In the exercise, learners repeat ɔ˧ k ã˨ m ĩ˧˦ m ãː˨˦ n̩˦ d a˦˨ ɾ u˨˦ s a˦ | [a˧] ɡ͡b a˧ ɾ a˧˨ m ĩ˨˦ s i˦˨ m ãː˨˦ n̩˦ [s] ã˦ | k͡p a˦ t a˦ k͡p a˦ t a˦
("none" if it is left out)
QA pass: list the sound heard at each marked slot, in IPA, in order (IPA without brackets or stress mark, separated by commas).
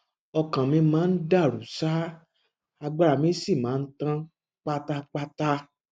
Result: a˧, t